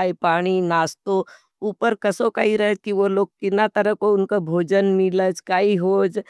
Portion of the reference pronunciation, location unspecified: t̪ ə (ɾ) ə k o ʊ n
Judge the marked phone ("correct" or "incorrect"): correct